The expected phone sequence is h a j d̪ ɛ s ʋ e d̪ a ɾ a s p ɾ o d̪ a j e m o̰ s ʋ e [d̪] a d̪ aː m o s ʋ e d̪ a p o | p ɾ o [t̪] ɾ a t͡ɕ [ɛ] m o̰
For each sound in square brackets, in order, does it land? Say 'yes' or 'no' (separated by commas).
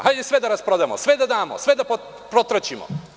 yes, yes, no